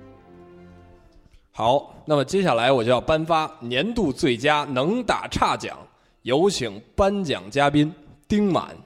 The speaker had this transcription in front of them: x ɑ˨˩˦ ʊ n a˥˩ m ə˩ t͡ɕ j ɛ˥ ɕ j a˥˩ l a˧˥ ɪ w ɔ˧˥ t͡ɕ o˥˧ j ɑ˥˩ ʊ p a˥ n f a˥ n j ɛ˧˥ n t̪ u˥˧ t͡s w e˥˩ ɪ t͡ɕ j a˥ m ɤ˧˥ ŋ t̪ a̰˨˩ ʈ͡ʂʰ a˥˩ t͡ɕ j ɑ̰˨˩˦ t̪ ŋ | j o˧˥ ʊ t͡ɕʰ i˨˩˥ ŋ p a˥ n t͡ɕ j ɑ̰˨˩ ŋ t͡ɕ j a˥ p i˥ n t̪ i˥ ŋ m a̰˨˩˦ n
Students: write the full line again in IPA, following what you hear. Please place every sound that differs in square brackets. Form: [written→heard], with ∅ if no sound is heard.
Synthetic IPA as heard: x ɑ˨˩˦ ʊ n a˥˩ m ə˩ t͡ɕ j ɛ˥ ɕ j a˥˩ l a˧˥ ɪ w [ɔ˧˥→ɔ˨˩] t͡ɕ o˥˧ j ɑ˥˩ ʊ p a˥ n f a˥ n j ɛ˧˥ n t̪ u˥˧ t͡s w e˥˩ ɪ t͡ɕ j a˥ [m→n] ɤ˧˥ ŋ t̪ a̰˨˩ ʈ͡ʂʰ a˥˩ t͡ɕ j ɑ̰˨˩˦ [t̪→∅] ŋ | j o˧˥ ʊ t͡ɕʰ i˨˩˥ ŋ p a˥ n t͡ɕ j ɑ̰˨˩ ŋ t͡ɕ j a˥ p i˥ n t̪ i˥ ŋ m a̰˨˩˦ n